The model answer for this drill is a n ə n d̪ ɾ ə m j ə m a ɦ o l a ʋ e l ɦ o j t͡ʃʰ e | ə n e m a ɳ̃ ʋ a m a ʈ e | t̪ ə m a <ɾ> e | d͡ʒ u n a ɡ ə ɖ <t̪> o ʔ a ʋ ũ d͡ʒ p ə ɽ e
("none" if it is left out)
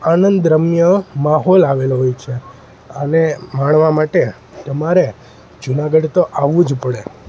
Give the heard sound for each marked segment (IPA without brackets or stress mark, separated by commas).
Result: ɾ, t̪